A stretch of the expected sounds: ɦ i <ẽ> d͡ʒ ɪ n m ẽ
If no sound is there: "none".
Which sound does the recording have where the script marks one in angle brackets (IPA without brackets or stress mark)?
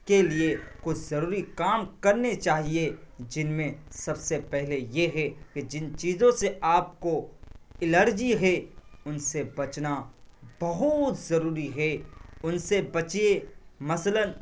e